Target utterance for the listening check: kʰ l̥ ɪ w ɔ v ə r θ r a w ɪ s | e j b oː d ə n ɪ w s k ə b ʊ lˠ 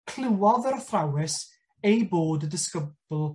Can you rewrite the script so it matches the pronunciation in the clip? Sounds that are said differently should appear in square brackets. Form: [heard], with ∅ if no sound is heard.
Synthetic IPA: kʰ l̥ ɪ w ɔ [ð] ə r θ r a w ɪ s | e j b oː d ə [d] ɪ [∅] s k ə b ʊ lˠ